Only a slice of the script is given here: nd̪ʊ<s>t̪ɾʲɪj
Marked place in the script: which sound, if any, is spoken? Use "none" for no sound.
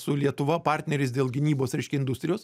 s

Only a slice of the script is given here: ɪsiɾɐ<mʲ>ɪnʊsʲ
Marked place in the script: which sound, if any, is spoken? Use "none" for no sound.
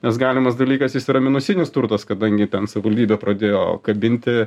mʲ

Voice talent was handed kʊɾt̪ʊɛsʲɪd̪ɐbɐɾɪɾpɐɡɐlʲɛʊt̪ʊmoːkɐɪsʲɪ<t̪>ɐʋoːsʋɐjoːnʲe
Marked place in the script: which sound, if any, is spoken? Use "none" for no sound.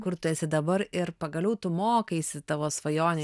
t̪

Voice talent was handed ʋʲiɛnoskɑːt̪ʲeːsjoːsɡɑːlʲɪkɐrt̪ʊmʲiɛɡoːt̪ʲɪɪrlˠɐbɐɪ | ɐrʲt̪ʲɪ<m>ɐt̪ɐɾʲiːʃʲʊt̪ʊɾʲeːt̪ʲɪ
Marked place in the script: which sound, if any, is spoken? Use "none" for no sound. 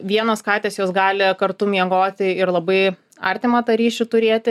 m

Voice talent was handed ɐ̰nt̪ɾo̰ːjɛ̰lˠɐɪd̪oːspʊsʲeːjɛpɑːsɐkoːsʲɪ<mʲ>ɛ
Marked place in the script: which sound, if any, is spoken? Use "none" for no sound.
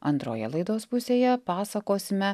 mʲ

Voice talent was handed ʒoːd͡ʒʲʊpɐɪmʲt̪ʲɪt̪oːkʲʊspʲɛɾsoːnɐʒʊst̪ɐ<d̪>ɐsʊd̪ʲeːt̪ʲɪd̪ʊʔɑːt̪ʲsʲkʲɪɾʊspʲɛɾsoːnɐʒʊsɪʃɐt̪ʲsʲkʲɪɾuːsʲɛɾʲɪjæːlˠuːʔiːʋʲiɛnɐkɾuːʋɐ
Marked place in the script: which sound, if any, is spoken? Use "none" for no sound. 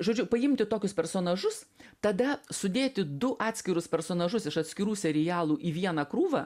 d̪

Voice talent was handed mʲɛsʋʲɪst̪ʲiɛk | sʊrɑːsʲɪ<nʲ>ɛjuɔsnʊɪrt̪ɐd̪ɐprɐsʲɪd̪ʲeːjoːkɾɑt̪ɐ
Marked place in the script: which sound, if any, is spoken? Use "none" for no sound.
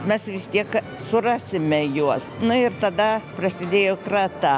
mʲ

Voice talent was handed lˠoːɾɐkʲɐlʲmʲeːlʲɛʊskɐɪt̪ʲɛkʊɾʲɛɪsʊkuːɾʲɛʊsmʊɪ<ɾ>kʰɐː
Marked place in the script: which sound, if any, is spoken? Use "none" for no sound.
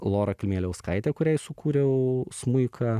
none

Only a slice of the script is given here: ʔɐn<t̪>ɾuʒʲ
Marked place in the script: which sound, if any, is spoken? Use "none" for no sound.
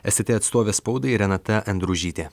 d̪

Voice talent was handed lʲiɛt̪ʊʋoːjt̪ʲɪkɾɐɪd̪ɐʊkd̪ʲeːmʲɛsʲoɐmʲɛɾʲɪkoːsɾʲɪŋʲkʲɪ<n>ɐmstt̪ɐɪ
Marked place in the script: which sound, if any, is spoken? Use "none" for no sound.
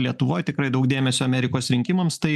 m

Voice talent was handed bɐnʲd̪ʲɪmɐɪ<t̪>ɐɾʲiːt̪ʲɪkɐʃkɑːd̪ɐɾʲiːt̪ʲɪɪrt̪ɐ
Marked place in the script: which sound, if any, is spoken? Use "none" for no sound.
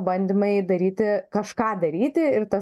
d̪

